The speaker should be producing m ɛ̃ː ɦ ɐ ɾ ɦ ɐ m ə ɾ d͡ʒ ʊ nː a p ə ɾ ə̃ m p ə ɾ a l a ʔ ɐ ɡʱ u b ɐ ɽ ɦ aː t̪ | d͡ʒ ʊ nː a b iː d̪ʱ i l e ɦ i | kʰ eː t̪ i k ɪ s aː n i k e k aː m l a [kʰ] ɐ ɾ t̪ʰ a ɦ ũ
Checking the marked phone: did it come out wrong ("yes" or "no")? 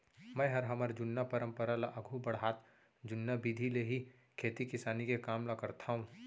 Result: yes